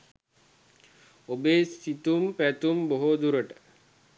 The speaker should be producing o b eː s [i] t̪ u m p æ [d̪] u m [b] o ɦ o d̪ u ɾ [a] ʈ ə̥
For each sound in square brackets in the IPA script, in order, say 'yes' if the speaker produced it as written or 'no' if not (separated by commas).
yes, no, yes, no